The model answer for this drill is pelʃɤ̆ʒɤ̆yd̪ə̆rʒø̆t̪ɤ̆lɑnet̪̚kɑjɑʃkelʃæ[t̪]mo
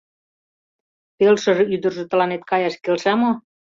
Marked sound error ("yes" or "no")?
yes